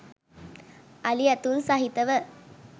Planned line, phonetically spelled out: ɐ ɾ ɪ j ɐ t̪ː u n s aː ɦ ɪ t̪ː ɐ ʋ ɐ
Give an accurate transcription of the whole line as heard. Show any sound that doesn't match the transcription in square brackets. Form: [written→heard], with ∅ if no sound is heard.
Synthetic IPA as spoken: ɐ [ɾ→l] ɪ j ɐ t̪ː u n s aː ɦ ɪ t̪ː ɐ ʋ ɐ